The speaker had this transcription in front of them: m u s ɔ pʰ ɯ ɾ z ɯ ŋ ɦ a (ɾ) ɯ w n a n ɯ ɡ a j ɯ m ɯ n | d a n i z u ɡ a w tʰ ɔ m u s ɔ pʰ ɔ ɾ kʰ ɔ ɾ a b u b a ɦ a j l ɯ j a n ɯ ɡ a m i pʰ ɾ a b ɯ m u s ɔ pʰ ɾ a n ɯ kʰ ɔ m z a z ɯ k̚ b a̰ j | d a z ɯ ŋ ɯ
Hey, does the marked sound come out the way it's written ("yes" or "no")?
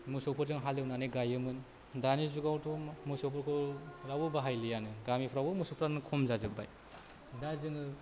no